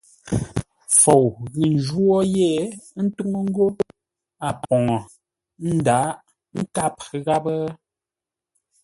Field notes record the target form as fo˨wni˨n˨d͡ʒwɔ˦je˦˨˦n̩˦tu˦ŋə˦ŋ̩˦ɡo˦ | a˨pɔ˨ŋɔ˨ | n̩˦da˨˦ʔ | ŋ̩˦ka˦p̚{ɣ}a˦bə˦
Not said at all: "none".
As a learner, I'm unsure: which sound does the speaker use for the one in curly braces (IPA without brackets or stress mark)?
ɣ